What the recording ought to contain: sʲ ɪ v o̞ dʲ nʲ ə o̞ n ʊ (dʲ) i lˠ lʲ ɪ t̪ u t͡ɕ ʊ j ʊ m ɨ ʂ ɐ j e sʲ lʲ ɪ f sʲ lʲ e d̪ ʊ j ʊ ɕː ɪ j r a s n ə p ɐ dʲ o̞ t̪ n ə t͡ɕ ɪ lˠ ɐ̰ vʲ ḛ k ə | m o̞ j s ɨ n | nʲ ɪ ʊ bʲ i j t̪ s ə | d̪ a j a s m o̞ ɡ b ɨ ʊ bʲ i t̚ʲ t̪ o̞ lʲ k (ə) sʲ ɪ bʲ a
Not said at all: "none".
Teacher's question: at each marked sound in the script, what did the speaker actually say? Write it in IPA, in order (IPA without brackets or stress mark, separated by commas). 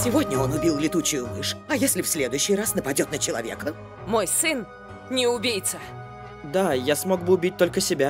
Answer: bʲ, ə